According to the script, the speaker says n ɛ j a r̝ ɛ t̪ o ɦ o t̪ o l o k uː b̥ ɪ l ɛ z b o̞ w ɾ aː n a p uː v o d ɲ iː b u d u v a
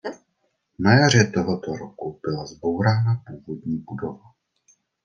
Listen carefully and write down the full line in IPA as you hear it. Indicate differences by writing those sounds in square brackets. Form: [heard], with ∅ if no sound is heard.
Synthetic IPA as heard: n [a] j a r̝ ɛ t̪ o ɦ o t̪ o [ɾ] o k [u] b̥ ɪ l [a] z b o̞ w ɾ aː n a p uː v o d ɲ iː b u d [o] v a